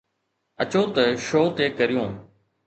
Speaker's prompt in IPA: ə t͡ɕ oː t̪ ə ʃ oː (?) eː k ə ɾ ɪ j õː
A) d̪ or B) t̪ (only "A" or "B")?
B